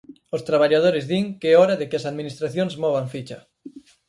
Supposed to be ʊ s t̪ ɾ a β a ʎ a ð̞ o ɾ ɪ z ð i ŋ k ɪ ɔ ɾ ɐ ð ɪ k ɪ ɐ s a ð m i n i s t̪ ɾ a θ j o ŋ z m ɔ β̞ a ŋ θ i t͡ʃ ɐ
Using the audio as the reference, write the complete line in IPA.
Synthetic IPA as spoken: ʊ s t̪ ɾ a β a ʎ a ð̞ o ɾ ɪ z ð i ŋ k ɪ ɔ ɾ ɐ ð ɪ k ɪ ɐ s a ð m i n i s t̪ ɾ a θ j o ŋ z m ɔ β̞ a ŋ f i t͡ʃ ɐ